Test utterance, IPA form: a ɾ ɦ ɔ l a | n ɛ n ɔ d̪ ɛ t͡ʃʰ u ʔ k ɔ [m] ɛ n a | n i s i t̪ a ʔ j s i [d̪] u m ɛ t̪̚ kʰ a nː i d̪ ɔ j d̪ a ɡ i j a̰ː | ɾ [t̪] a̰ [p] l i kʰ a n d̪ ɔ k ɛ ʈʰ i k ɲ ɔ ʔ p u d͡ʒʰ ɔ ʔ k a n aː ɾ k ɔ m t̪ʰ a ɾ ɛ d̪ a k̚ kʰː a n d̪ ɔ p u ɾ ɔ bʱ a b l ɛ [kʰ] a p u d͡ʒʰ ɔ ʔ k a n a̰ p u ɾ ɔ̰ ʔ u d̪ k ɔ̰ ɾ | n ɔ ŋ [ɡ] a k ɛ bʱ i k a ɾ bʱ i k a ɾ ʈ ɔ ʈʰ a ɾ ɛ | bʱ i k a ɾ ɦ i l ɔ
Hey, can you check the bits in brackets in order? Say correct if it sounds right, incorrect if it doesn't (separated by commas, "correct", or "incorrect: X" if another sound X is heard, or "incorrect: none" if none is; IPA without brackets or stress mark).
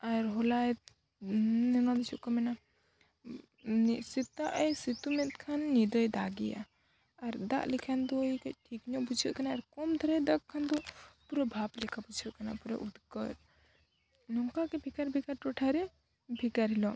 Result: correct, incorrect: t̪, incorrect: d̪, incorrect: ʔ, correct, incorrect: k